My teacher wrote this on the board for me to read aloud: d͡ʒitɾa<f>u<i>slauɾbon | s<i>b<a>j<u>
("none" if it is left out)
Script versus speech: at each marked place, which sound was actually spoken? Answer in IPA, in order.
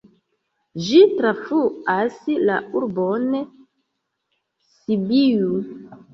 f, a, i, i, u

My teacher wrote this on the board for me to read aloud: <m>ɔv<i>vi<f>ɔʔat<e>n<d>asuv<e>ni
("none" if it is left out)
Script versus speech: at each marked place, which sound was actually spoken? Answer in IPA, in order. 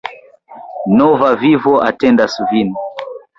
n, a, v, ɛ, d, i

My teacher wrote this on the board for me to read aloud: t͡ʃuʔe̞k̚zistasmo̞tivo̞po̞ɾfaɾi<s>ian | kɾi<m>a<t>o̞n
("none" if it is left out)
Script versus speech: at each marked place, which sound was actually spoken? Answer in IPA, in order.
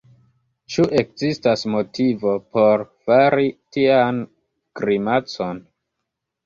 t, m, t͡s

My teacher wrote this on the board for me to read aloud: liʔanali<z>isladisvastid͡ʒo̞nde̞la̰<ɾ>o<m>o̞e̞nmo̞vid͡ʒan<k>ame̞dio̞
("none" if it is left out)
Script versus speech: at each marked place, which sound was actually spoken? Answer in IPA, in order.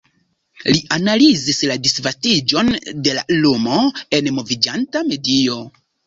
z, l, m, t

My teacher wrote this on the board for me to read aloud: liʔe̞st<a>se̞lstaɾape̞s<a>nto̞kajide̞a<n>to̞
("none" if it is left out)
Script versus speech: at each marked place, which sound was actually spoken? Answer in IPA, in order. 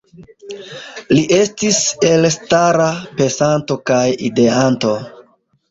i, a, n

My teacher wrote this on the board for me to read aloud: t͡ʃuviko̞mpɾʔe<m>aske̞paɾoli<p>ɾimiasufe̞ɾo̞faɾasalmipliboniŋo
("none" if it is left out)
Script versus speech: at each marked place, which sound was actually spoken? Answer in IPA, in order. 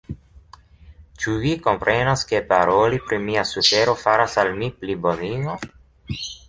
n, p

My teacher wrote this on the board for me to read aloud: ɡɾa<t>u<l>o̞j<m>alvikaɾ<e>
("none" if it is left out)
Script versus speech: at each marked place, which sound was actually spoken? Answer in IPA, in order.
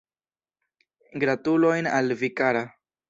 t, l, n, a

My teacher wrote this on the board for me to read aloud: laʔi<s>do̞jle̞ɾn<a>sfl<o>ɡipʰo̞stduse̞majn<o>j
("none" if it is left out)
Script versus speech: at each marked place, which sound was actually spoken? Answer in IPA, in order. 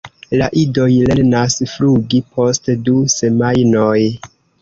none, a, u, o

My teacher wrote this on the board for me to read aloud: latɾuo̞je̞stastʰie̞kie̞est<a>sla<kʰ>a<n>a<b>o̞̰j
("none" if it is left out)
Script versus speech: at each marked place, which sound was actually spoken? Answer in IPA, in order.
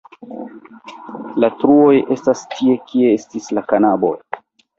i, k, n, b

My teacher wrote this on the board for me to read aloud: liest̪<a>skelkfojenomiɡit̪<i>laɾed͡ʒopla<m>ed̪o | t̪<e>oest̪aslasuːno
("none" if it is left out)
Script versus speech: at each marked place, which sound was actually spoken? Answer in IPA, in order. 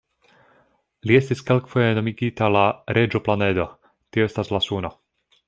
i, a, n, i

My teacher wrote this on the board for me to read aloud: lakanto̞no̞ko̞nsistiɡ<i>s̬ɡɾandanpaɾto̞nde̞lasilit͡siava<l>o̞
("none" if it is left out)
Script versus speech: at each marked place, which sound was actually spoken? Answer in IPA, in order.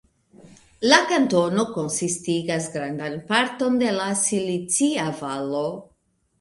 a, l

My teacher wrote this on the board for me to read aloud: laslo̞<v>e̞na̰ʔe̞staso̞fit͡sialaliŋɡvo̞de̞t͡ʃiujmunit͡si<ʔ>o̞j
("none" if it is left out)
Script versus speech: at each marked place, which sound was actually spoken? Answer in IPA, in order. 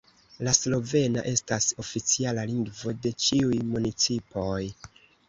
v, p

